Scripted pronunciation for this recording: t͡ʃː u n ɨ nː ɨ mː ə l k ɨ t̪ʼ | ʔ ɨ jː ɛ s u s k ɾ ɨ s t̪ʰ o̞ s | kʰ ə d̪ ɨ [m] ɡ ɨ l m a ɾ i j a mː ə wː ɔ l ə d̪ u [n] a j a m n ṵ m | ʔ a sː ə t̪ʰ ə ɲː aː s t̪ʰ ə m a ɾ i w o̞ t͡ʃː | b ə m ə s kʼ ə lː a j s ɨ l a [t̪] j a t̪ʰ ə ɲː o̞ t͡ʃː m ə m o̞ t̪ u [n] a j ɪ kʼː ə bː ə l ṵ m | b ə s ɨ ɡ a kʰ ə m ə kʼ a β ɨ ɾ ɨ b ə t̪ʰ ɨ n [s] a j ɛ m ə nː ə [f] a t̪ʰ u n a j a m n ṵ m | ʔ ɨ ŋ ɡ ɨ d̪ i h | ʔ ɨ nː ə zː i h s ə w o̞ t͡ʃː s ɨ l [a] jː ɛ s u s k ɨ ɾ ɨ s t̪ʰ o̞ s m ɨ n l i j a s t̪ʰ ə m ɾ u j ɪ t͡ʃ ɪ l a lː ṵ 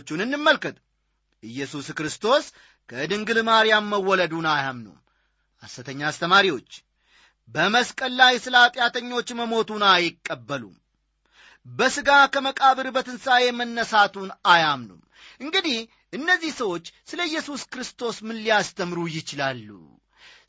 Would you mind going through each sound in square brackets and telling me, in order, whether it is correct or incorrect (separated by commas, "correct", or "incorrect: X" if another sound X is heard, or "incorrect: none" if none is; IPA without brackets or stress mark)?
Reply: incorrect: ŋ, correct, incorrect: t̪ʼ, correct, correct, incorrect: s, incorrect: ə